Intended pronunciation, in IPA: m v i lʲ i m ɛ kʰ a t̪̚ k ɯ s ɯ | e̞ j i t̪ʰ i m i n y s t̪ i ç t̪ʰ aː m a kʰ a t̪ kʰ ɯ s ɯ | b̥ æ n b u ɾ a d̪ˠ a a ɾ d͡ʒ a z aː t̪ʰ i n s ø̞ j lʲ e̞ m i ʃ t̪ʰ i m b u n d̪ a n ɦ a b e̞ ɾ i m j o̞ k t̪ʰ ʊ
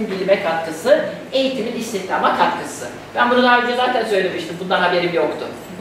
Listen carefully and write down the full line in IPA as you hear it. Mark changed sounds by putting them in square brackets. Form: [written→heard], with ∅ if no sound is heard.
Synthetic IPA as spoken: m [v→b] i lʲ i m ɛ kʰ a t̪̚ k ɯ s ɯ | e̞ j i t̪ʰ i m i n [y→i] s t̪ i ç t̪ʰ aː m a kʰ a t̪ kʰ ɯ s ɯ | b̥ æ n b u ɾ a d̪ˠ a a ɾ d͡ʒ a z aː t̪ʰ [i→æ] n s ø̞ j lʲ e̞ m i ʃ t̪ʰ i m b u n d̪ a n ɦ a b e̞ ɾ i m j o̞ k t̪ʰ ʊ